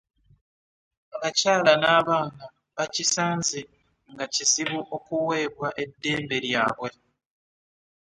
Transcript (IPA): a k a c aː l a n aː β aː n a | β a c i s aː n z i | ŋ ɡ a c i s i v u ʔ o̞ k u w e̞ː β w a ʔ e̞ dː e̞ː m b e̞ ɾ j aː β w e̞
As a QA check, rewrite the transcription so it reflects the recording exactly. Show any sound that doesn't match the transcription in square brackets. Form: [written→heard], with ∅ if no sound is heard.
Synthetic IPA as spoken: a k a c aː l a n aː β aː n a | β a c i s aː n z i | ŋ ɡ a c i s i [v→β] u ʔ o̞ k u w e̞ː β w a ʔ e̞ dː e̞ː m b e̞ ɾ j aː β w e̞